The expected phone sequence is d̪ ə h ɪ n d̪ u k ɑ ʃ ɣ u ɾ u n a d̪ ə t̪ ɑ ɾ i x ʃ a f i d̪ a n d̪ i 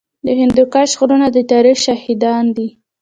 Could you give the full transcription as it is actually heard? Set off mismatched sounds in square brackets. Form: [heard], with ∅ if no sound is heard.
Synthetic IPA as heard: d̪ ə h ɪ n d̪ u k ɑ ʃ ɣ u ɾ u n a d̪ ə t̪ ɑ ɾ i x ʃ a [h] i d̪ [ɑ] n d̪ i